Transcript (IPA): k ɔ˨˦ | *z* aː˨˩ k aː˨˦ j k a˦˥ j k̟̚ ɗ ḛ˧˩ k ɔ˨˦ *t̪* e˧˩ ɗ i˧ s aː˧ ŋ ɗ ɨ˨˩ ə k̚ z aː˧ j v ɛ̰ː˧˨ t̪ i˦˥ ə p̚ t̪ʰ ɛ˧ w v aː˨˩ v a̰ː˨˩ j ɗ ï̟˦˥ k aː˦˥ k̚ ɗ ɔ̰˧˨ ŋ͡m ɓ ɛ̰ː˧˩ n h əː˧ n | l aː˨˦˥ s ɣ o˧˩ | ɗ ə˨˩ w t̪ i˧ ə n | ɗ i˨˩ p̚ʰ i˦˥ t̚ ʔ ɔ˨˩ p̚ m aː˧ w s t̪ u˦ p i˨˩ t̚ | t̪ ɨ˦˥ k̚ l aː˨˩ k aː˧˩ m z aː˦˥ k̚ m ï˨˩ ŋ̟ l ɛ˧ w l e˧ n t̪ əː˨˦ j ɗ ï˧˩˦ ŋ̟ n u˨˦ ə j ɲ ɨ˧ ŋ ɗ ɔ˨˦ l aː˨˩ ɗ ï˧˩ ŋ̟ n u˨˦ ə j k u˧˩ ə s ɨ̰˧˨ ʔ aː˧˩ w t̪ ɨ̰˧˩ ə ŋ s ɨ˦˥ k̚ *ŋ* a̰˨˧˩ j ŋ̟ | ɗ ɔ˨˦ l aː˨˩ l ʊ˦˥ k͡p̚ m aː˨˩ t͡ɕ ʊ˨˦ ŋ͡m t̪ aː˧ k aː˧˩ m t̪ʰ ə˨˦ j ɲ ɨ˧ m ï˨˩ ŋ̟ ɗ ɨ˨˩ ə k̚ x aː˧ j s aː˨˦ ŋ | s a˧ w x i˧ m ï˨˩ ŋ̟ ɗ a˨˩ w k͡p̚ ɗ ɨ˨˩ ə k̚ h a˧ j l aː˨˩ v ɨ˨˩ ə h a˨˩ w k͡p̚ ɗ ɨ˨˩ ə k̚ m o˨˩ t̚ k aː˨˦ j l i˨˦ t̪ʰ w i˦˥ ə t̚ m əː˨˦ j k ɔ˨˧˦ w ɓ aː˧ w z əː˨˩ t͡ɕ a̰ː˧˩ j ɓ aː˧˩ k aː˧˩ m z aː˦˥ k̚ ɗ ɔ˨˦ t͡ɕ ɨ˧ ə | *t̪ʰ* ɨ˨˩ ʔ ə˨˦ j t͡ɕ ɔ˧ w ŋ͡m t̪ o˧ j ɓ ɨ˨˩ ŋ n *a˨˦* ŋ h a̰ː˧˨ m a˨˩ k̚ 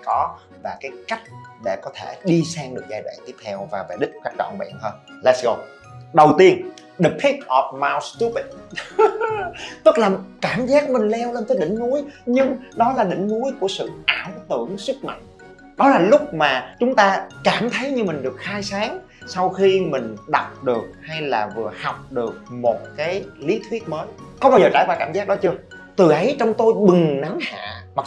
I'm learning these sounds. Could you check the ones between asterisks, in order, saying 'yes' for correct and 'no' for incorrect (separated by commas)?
no, no, no, no, yes